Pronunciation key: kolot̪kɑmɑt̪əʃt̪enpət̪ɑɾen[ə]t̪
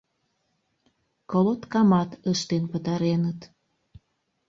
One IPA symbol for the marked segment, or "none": ə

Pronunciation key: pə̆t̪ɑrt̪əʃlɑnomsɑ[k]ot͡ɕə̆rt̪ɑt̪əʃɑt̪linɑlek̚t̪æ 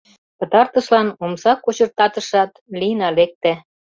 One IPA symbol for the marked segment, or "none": k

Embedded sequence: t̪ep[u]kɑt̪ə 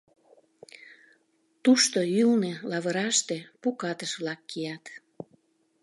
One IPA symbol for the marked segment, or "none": u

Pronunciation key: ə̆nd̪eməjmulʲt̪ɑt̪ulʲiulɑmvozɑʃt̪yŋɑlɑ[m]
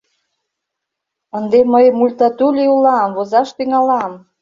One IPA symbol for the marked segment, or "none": m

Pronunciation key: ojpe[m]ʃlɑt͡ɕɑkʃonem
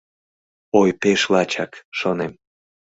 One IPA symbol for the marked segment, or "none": none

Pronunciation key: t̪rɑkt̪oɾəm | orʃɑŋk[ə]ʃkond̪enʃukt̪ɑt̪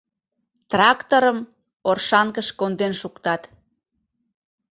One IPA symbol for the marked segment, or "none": ə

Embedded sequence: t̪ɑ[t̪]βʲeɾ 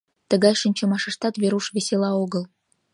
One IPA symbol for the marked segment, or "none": t̪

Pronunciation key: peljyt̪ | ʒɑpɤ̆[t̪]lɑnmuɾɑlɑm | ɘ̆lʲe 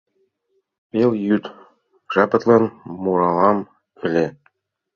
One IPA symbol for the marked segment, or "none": t̪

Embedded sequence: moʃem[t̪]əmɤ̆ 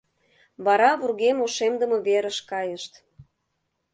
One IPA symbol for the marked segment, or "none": d̪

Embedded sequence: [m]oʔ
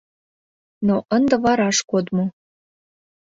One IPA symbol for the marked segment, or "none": n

